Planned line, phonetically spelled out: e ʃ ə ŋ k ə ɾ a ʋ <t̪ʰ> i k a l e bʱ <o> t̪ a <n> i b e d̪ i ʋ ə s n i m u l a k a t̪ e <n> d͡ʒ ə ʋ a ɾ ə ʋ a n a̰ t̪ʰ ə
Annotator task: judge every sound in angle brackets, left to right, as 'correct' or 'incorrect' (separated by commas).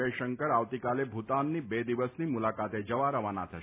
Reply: incorrect, incorrect, incorrect, incorrect